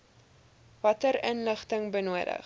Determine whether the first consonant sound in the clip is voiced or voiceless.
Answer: voiced